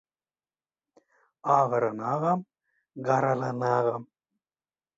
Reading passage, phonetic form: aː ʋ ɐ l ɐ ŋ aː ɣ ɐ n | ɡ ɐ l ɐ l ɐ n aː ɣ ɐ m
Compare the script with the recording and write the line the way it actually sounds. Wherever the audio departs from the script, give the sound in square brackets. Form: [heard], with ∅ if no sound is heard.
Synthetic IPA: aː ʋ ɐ [ɾ] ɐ [n] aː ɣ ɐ [m] | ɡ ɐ [ɾ] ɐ l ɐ n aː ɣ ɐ m